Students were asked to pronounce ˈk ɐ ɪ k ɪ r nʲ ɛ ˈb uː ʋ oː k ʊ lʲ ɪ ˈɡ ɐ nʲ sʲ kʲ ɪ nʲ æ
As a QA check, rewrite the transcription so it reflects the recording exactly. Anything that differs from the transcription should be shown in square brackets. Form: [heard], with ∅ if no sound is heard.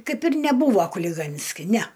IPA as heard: ˈk ɐ ɪ [p] ɪ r nʲ ɛ ˈb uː ʋ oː k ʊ lʲ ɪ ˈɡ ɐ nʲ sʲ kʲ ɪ nʲ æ